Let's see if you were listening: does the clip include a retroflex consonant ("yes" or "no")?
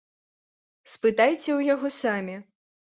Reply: no